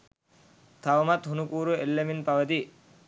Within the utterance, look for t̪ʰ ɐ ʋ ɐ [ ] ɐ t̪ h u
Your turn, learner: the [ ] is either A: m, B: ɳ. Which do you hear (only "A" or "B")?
A